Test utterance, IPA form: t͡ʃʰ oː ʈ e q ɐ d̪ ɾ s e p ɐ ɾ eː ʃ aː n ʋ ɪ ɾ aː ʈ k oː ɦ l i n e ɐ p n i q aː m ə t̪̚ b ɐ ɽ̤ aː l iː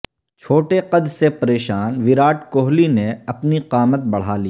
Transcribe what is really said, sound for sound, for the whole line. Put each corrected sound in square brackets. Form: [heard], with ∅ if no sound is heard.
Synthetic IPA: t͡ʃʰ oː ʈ e q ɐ d̪ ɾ s e p ɐ ɾ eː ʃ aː n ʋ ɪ ɾ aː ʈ k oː ɦ l i n e ɐ p n i q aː m ə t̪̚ b ɐ ɽ̤ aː l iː